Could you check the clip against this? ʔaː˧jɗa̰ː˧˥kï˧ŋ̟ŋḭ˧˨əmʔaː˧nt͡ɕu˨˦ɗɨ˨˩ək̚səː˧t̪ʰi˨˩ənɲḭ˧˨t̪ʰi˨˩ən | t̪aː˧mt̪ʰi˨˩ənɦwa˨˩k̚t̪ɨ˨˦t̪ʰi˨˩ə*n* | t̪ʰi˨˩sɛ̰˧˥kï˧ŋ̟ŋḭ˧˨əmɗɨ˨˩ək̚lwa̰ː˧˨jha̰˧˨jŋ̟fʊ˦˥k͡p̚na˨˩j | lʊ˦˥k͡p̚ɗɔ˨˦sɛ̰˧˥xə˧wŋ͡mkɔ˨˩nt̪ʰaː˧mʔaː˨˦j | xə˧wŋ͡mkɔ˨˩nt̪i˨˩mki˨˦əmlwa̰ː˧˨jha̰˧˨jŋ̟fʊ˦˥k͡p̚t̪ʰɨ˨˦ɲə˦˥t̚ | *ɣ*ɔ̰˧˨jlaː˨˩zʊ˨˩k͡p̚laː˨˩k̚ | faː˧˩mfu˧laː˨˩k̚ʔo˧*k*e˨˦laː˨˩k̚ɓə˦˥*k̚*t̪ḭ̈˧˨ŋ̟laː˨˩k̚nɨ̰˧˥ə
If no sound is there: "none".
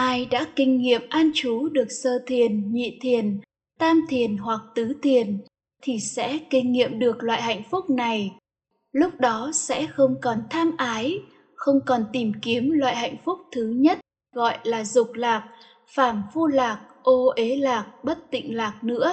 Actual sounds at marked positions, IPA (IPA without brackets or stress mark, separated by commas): n, ɣ, ʔ, t̚